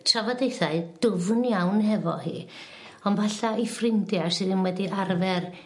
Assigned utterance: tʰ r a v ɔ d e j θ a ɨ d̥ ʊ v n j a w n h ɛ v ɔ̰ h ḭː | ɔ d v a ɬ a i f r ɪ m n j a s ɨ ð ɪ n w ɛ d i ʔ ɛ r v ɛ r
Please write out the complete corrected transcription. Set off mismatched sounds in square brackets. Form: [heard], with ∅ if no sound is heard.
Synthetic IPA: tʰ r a v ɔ d e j θ a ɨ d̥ ʊ v n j a w n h ɛ v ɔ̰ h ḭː | ɔ [n] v a ɬ a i f r ɪ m [d] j a s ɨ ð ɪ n w ɛ d i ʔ [a] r v ɛ r